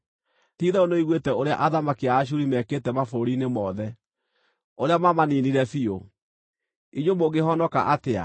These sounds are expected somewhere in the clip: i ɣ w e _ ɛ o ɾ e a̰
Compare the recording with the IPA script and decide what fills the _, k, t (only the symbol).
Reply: t